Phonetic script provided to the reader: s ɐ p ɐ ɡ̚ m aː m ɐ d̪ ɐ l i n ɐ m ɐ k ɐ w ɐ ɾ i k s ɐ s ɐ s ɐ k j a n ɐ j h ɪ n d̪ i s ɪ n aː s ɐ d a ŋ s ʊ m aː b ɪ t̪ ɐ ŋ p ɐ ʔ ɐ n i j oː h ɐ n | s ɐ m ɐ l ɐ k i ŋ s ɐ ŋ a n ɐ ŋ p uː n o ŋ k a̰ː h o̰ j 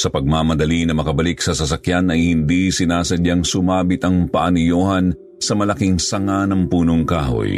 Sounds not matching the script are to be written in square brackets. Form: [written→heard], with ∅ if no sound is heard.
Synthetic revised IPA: s ɐ p ɐ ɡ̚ m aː m ɐ d̪ ɐ l i n ɐ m ɐ k ɐ [w→b] ɐ [ɾ→l] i k s ɐ s ɐ s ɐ k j a n ɐ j h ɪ n d̪ i s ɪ n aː s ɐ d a ŋ s ʊ m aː b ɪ t̪ ɐ ŋ p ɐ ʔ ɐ n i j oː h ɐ n | s ɐ m ɐ l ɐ k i ŋ s ɐ ŋ a n ɐ ŋ p uː n o ŋ k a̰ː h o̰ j